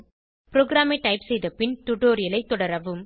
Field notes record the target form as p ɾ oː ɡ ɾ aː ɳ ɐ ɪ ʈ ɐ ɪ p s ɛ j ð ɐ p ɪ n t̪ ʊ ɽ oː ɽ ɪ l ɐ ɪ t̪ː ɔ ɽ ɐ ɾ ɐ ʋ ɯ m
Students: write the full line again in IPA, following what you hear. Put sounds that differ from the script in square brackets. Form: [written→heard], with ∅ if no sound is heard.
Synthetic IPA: p ɾ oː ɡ ɾ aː [ɳ→m] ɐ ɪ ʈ ɐ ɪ p s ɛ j ð ɐ p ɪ n t̪ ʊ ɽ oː [ɽ→ɾ] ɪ l ɐ ɪ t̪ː ɔ ɽ ɐ ɾ ɐ ʋ ɯ m